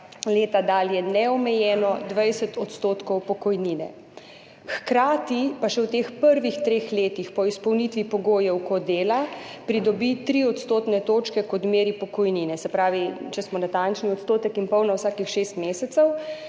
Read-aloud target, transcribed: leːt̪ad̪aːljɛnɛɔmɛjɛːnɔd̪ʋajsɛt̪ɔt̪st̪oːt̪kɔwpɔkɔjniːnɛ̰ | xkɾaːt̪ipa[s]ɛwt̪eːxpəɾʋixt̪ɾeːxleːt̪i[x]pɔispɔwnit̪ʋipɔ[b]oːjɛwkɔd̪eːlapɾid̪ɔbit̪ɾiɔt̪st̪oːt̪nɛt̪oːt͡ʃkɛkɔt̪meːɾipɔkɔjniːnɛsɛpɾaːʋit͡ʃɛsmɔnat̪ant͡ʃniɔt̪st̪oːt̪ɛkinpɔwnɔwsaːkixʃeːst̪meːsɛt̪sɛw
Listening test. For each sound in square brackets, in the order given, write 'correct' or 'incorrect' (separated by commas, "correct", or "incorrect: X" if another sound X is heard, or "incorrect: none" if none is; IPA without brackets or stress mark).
incorrect: ʃ, correct, incorrect: ɡ